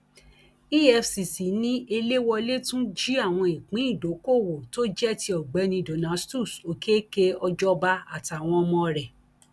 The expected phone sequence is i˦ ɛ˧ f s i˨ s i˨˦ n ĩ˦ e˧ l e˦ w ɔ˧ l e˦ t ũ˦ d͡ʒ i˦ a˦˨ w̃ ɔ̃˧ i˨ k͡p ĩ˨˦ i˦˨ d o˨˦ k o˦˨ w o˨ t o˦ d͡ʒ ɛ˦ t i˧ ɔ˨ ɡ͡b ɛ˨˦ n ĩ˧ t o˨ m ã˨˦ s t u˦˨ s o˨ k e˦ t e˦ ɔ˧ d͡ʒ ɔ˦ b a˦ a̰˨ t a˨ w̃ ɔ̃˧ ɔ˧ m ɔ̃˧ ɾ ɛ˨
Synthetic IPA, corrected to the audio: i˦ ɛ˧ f s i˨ s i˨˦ n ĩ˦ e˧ l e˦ w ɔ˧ l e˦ t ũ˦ d͡ʒ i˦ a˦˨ w̃ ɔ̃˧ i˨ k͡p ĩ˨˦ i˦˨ d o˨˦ k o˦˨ w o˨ t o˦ d͡ʒ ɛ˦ t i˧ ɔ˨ ɡ͡b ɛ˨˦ n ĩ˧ d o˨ n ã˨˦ s t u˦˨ s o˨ k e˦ k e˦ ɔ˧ d͡ʒ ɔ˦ b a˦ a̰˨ t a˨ w̃ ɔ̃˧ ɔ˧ m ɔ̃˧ ɾ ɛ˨